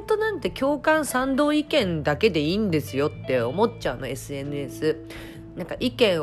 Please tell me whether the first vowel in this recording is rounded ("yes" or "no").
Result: yes